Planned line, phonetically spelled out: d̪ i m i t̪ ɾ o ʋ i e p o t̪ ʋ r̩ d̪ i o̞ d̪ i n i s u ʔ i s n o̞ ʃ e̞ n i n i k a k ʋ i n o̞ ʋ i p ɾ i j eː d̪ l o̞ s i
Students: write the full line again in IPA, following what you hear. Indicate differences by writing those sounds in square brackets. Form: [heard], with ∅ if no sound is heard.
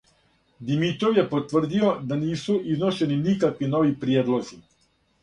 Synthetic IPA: d̪ i m i t̪ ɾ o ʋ [j] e p o t̪ ʋ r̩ d̪ i o̞ d̪ [a] n [iː] s u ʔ i [z] n o̞ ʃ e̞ n i n i k a k ʋ i n o̞ ʋ i p ɾ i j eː d̪ l o̞ [z] i